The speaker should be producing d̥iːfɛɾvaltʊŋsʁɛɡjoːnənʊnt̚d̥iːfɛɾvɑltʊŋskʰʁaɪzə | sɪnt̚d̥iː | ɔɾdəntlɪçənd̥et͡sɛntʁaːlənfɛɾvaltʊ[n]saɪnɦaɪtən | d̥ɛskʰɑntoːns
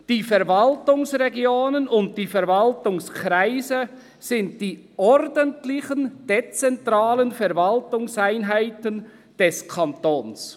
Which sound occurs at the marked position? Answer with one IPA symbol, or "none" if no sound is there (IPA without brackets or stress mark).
ŋ